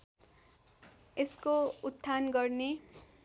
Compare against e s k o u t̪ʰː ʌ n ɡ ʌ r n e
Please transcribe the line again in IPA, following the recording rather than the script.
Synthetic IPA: e s k o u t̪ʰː a n ɡ ʌ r n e